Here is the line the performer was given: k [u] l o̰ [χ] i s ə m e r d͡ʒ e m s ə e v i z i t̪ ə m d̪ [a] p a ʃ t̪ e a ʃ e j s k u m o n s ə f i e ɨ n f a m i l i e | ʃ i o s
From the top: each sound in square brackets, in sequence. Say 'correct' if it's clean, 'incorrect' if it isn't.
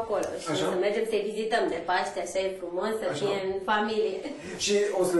incorrect: o, incorrect: ʃ, incorrect: e

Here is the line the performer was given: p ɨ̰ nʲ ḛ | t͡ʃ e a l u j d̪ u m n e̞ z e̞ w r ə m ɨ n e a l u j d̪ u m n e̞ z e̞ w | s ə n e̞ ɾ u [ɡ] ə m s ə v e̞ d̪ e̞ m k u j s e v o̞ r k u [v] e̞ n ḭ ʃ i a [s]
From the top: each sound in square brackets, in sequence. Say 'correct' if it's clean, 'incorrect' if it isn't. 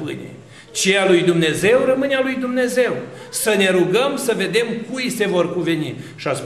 correct, correct, correct

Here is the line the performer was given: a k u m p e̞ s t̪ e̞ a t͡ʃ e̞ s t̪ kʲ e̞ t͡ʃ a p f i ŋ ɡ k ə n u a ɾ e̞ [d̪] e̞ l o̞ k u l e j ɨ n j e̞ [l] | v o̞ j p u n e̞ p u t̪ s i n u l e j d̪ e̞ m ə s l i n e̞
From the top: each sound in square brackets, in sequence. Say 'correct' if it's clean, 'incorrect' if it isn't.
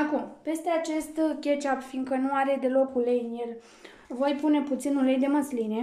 correct, correct

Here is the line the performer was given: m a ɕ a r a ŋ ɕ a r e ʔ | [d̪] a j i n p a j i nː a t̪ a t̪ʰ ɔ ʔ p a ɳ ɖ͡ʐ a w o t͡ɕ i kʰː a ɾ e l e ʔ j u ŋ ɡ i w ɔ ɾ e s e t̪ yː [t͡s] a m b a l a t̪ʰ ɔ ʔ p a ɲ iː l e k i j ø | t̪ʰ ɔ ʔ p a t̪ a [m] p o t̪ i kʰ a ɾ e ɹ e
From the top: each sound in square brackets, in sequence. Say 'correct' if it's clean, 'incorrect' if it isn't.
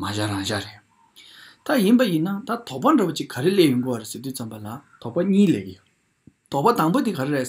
incorrect: t̪, correct, incorrect: ŋ

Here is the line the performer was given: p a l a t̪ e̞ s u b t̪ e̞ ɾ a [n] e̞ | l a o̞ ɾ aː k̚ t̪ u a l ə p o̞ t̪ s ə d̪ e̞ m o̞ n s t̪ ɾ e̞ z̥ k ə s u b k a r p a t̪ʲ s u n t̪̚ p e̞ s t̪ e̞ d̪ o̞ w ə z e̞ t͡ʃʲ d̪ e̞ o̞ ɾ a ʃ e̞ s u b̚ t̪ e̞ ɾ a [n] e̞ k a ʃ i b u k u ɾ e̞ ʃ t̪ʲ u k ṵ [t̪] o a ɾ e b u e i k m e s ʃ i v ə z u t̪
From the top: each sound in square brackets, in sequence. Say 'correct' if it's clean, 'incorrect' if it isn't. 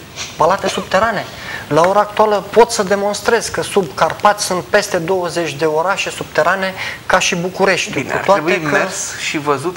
correct, correct, correct

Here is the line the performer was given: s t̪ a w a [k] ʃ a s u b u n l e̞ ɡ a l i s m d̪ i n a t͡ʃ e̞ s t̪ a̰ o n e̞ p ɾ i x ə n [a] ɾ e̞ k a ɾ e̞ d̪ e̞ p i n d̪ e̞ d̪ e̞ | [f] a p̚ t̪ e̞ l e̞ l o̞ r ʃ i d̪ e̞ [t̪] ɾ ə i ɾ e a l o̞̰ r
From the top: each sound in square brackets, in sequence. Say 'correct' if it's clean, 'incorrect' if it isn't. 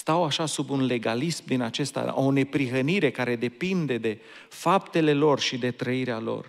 incorrect: none, incorrect: i, correct, correct

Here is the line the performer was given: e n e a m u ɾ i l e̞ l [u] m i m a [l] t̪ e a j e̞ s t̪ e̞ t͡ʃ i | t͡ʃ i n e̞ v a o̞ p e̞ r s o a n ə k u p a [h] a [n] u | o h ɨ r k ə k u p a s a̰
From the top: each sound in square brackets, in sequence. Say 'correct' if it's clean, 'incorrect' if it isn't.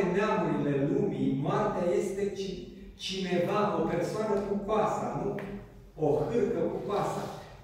correct, incorrect: r, incorrect: s, correct

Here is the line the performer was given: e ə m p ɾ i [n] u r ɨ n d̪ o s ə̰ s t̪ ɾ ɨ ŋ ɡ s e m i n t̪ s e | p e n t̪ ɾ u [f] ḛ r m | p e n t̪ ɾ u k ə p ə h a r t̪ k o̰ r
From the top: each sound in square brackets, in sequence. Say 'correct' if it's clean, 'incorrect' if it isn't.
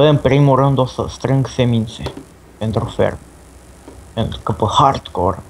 incorrect: m, correct

